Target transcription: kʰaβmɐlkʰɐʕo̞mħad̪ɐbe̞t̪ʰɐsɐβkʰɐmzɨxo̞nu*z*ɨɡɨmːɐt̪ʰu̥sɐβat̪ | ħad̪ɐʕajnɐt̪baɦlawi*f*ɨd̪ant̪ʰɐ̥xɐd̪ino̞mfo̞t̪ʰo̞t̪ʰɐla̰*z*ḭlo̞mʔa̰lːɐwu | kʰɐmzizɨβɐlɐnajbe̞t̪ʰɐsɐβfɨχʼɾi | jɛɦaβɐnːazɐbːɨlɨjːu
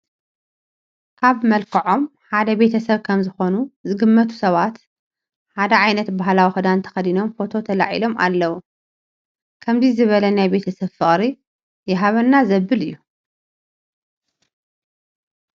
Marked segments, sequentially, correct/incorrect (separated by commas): correct, incorrect, incorrect